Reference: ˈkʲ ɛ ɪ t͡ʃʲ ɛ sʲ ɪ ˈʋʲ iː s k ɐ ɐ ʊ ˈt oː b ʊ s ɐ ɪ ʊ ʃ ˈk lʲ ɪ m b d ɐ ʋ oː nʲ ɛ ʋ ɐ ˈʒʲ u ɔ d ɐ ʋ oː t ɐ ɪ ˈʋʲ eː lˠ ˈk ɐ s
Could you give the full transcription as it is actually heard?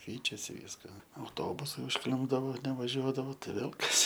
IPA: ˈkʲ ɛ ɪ t͡ʃʲ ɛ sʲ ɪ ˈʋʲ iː s k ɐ ɐ ʊ ˈt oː b ʊ s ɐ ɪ ʊ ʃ ˈk lʲ ɪ m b d ɐ ʋ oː nʲ ɛ ʋ ɐ ˈʒʲ u ɔ d ɐ ʋ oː t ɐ ɪ ˈʋʲ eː lˠ ˈk ɐ s

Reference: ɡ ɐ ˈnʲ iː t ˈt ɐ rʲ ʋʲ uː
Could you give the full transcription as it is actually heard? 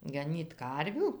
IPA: ɡ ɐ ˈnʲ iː t ˈk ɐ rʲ ʋʲ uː

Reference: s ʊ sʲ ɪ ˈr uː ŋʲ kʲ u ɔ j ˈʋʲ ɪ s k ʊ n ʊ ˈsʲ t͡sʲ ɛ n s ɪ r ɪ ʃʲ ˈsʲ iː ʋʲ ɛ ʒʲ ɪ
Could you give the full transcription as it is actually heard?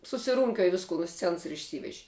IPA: s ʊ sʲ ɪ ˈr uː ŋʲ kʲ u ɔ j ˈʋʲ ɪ s k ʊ n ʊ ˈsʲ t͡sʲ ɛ n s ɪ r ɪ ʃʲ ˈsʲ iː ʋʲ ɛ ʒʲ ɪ

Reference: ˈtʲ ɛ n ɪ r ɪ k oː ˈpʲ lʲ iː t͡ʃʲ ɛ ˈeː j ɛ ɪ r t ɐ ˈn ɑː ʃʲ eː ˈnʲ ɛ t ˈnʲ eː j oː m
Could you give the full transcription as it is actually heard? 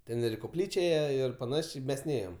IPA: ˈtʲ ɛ n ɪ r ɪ k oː ˈpʲ lʲ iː t͡ʃʲ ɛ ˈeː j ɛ ɪ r p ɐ ˈn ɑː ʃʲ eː ˈmʲ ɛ s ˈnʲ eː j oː m

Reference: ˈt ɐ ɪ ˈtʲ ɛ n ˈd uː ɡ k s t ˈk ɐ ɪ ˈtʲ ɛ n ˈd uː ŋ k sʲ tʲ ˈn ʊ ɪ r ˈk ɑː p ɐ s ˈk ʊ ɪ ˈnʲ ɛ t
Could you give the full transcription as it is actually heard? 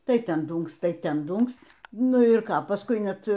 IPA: ˈt ɐ ɪ ˈtʲ ɛ n ˈd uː ŋ k s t ˈt ɐ ɪ ˈtʲ ɛ n ˈd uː ŋ k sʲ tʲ ˈn ʊ ɪ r ˈk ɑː p ɐ s ˈk ʊ ɪ ˈnʲ ɛ t

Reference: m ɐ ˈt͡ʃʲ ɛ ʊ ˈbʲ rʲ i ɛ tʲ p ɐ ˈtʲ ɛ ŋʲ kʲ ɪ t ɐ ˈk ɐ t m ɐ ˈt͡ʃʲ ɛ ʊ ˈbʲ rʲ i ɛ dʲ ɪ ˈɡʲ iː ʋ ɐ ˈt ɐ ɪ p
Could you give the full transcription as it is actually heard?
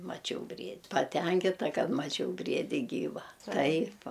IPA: m ɐ ˈt͡ʃʲ ɛ ʊ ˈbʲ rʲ i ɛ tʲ p ɐ ˈtʲ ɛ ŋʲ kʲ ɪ t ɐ ˈk ɐ t m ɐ ˈt͡ʃʲ ɛ ʊ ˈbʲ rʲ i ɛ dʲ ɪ ˈɡʲ iː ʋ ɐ ˈt ɐ ɪ p

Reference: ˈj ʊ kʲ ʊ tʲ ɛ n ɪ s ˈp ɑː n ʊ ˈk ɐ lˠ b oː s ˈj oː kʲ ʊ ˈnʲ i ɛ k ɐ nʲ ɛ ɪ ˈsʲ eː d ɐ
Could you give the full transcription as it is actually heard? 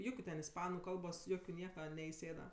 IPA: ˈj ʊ kʲ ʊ tʲ ɛ n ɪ s ˈp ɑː n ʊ ˈk ɐ lˠ b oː s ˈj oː kʲ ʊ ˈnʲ i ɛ k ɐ nʲ ɛ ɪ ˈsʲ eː d ɐ

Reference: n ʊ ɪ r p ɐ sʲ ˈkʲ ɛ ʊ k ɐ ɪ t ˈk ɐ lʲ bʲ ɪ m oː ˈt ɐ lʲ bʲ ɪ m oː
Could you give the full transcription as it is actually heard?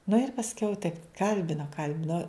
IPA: n ʊ ɪ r p ɐ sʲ ˈkʲ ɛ ʊ t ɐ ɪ p ˈk ɐ lʲ bʲ ɪ n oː ˈk ɐ lʲ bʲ ɪ n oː

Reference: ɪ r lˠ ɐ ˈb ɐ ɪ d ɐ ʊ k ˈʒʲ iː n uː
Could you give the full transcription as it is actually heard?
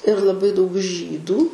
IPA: ɪ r lˠ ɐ ˈb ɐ ɪ d ɐ ʊ k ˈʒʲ iː d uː

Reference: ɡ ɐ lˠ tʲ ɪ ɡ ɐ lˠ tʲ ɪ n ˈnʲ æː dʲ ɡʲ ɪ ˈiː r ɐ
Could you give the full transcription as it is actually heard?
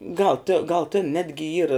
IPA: ɡ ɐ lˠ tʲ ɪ ɡ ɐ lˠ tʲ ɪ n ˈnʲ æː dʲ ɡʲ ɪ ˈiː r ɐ

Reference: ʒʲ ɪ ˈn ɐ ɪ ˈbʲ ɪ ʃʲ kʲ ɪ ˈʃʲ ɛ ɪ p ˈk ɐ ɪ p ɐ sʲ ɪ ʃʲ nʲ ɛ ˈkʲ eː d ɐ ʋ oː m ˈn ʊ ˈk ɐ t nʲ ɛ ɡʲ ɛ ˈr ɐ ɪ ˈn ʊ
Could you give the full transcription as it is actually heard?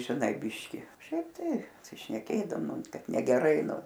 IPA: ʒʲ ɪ ˈn ɐ ɪ ˈbʲ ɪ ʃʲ kʲ ɪ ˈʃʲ ɛ ɪ p ˈt ɐ ɪ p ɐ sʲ ɪ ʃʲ nʲ ɛ ˈkʲ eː d ɐ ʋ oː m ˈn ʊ ˈk ɐ t nʲ ɛ ɡʲ ɛ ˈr ɐ ɪ ˈn ʊ

